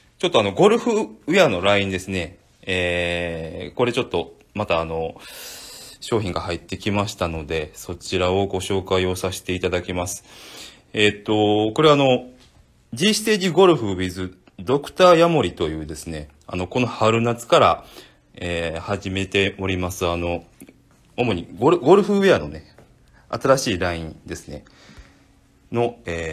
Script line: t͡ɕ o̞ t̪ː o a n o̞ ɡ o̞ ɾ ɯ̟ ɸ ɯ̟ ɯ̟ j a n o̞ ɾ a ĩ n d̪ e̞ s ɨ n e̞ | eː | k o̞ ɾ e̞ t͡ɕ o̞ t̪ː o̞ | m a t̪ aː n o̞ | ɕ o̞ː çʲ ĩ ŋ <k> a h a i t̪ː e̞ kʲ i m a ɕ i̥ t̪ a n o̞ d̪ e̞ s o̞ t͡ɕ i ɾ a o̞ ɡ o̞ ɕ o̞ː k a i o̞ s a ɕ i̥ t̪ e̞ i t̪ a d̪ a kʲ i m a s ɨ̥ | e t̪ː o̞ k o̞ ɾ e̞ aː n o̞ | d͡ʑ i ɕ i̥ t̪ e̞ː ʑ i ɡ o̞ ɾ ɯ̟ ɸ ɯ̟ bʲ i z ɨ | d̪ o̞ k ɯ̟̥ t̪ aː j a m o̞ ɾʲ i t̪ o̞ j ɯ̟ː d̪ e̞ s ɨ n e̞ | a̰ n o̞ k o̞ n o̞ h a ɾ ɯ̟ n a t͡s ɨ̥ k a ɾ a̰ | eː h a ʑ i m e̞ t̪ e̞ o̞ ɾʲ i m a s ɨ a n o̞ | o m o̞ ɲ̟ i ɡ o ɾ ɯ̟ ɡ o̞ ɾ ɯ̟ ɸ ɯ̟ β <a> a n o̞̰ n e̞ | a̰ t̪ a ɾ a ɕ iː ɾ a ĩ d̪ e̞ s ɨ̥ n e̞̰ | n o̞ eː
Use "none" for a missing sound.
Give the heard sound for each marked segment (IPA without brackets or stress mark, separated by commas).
ɡ, e